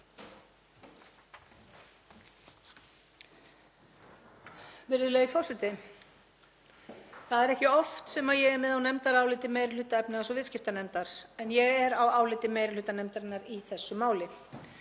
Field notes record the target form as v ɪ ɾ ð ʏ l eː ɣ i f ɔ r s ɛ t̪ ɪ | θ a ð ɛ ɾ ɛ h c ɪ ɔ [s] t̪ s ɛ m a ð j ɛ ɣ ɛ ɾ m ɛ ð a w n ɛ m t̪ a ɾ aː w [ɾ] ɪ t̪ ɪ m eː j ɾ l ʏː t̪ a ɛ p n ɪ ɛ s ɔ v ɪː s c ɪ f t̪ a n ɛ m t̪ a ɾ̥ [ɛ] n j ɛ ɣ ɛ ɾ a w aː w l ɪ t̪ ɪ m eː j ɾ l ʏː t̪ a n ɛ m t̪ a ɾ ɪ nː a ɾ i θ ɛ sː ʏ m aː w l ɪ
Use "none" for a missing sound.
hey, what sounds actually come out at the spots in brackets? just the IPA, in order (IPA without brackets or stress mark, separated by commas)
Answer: f, l, ɛ